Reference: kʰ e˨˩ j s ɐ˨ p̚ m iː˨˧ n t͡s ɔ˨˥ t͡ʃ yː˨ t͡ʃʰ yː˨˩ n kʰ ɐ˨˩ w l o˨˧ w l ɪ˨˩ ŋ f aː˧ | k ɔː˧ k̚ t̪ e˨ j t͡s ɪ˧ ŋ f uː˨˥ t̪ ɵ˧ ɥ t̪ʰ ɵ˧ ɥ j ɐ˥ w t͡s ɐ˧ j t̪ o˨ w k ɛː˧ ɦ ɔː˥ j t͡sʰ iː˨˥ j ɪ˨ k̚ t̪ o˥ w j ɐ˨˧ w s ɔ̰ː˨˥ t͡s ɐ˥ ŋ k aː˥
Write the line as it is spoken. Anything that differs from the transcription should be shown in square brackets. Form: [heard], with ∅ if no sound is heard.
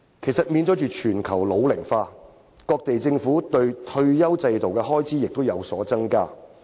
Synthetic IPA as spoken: kʰ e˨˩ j s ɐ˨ [t̚] m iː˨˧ n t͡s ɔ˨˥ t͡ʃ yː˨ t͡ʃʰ yː˨˩ n kʰ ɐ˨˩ w l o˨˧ w l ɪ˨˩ ŋ f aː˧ | k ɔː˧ k̚ t̪ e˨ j t͡s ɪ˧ ŋ f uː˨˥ t̪ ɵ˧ ɥ t̪ʰ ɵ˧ ɥ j ɐ˥ w t͡s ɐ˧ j t̪ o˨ w k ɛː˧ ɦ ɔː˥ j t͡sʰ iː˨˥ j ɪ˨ k̚ t̪ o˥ w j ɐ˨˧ w s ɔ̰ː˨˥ t͡s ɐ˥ ŋ k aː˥